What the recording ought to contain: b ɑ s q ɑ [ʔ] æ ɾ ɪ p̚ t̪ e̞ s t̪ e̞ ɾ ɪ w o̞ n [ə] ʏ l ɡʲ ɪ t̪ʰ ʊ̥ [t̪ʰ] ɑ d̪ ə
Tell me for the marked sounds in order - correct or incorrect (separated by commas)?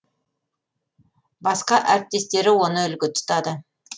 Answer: correct, correct, incorrect